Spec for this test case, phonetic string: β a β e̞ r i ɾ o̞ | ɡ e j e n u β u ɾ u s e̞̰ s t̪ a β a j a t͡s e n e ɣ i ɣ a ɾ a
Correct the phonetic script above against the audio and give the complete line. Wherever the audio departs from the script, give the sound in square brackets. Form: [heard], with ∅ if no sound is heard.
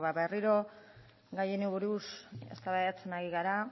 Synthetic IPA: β a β e̞ r i ɾ o̞ | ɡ [a] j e n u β u ɾ u s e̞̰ s t̪ a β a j a t͡s e n [a] ɣ i ɣ a ɾ a

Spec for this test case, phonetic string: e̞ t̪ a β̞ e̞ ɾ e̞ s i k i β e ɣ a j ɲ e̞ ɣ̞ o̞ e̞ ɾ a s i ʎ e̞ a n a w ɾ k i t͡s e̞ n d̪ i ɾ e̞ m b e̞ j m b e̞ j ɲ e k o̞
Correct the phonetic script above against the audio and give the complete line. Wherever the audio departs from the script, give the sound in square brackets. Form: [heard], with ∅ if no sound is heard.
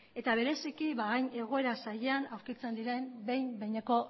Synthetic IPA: e̞ t̪ a β̞ e̞ ɾ e̞ s i k i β [a] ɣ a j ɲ e̞ ɣ̞ o̞ e̞ ɾ a s [a] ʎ e̞ a n a w ɾ k i t͡s e̞ n d̪ i ɾ e̞ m b e̞ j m b e̞ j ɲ e k o̞

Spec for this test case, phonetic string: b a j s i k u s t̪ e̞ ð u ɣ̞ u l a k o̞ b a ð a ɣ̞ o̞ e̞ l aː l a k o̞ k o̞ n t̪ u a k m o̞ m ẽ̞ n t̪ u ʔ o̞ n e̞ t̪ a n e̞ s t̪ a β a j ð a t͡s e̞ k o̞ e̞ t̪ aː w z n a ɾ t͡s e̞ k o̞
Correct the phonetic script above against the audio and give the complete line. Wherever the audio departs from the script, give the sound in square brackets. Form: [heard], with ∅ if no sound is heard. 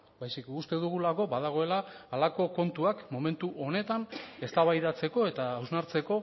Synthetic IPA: b a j s i k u s t̪ e̞ ð u ɣ̞ u l a k o̞ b a ð a ɣ̞ o̞ e̞ l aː l a k o̞ k o̞ n t̪ u a k m o̞ m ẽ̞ n t̪ u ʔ o̞ n e̞ t̪ a n e̞ s t̪ a β a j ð a t͡s e̞ k o̞ e̞ t̪ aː w z n a ɾ t͡s e̞ k o̞

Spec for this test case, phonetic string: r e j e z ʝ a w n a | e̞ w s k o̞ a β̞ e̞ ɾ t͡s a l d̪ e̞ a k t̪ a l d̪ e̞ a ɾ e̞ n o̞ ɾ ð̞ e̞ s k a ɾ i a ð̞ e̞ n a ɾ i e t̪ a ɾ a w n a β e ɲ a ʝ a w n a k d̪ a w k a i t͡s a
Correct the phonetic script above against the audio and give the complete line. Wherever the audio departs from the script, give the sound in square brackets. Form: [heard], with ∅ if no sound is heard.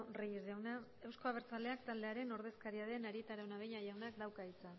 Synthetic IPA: r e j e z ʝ a w n a | e̞ w s k o̞ a β̞ e̞ ɾ t͡s a l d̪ e̞ a k t̪ a l d̪ e̞ a ɾ e̞ n o̞ ɾ ð̞ e̞ s k a ɾ i a ð̞ e̞ n a ɾ i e t̪ a ɾ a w n a β e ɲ a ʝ a w n a k d̪ a w k a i t͡s a

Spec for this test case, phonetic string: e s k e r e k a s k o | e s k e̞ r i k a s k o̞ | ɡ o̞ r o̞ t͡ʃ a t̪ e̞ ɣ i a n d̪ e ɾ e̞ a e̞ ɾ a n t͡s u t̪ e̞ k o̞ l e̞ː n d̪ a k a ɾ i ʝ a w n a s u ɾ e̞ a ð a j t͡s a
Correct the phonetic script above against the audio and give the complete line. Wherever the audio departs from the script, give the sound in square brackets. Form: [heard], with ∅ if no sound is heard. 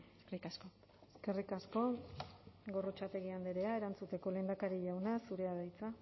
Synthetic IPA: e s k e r [i] k a s k o | e s k e̞ r i k a s k o̞ | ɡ o̞ r o̞ t͡ʃ a t̪ e̞ ɣ i a n d̪ e ɾ e̞ a e̞ ɾ a n t͡s u t̪ e̞ k o̞ l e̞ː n d̪ a k a ɾ i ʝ a w n a s u ɾ e̞ a ð a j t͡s a

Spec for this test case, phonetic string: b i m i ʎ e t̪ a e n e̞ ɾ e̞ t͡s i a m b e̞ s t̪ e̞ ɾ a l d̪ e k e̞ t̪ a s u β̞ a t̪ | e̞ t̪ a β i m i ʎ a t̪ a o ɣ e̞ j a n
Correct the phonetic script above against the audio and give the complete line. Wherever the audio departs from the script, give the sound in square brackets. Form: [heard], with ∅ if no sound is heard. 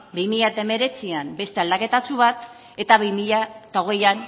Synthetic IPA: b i m i ʎ [a] t̪ a e [m] e̞ ɾ e̞ t͡s i a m b e̞ s t̪ e̞ [∅] a l d̪ [a] k e̞ t̪ a [t͡s] u β̞ a t̪ | e̞ t̪ a β i m i ʎ a t̪ a o ɣ e̞ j a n

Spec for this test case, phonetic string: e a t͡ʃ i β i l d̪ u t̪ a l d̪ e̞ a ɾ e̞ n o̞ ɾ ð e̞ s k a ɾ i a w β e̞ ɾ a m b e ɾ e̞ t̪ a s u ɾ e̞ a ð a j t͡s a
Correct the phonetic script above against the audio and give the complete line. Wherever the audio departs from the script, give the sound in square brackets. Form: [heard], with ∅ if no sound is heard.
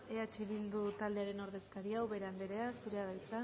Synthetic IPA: e a t͡ʃ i β i l d̪ u t̪ a l d̪ e̞ a ɾ e̞ n o̞ ɾ ð e̞ s k a ɾ i a w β e̞ ɾ a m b e ɾ e̞ [∅] a s u ɾ e̞ a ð a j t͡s a

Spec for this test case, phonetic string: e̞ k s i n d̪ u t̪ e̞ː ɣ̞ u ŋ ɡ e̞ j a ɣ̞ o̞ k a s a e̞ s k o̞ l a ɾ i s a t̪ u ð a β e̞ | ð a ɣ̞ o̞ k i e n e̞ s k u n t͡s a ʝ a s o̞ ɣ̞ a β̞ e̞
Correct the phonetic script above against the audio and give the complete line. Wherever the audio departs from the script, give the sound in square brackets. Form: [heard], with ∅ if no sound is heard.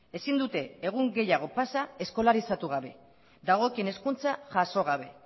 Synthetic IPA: e̞ [∅] s i n d̪ u t̪ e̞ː ɣ̞ u ŋ ɡ e̞ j a ɣ̞ o̞ [p] a s a e̞ s k o̞ l a ɾ i s a t̪ u [ɣ] a β e̞ | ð a ɣ̞ o̞ k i e n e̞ s k u n t͡s a ʝ a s o̞ ɣ̞ a β̞ e̞

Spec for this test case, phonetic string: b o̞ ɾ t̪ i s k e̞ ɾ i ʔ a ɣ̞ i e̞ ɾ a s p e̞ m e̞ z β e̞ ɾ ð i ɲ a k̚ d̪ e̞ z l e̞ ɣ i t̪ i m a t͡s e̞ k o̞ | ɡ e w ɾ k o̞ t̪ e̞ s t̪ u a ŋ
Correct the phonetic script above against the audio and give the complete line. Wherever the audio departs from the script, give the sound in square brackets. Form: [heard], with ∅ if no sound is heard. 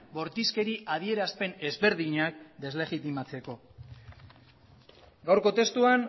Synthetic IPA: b o̞ ɾ t̪ i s k e̞ ɾ i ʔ a [ð̞] i e̞ ɾ a s p e̞ [n] e̞ z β e̞ ɾ ð i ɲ a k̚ d̪ e̞ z l e̞ ɣ i t̪ i m a t͡s e̞ k o̞ | ɡ [a] w ɾ k o̞ t̪ e̞ s t̪ u a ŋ

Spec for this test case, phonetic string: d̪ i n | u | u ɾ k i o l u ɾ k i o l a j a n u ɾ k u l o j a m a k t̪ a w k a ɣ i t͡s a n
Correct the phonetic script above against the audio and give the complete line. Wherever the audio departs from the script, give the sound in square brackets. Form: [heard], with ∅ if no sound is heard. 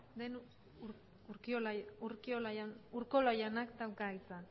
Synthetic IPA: d̪ [e] n | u | u ɾ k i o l u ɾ k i o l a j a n u ɾ k [o] l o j a [n] a k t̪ a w k a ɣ i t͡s a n

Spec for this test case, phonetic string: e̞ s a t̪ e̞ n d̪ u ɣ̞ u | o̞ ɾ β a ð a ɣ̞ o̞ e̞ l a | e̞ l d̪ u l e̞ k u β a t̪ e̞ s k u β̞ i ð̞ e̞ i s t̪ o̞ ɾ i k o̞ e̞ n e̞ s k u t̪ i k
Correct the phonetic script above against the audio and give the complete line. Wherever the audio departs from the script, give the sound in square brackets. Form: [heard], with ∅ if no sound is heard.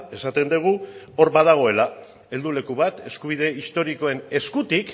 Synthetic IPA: e̞ s a t̪ e̞ n d̪ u ɣ̞ u | o̞ ɾ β a ð a ɣ̞ o̞ e̞ l a | e̞ l d̪ u l e̞ k u β a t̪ e̞ s k u β̞ i ð̞ e̞ i s t̪ o̞ ɾ i k o̞ e̞ n e̞ s k u t̪ i k

